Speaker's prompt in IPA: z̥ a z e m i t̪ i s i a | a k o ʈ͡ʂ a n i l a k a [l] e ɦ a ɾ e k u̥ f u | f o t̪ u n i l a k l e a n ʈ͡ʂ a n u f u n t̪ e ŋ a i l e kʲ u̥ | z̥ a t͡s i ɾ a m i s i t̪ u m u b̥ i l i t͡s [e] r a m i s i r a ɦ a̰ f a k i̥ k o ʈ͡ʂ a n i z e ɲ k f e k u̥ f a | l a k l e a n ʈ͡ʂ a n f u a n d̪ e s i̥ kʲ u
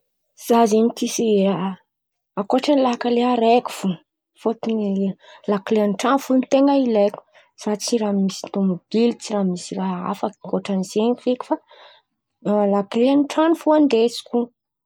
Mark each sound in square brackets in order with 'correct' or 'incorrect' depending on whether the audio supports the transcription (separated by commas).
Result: correct, incorrect